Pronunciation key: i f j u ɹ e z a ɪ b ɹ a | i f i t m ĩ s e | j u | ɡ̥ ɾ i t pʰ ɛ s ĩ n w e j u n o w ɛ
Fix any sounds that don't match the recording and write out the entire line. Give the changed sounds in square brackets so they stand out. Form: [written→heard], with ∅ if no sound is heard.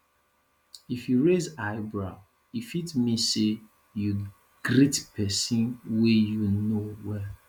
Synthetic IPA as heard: i f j u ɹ e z a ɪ b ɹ a | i f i t m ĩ s e | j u | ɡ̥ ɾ i t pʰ ɛ s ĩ n w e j u n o w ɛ